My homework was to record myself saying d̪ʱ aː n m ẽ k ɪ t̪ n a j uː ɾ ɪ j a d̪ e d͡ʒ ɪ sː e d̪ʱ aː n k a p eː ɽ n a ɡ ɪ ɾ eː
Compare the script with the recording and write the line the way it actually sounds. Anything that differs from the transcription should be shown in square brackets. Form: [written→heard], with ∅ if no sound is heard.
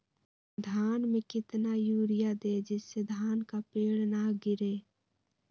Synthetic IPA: d̪ʱ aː n m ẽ k ɪ t̪ n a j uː ɾ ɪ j a d̪ e d͡ʒ ɪ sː e d̪ʱ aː n k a p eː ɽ n a ɡ ɪ ɾ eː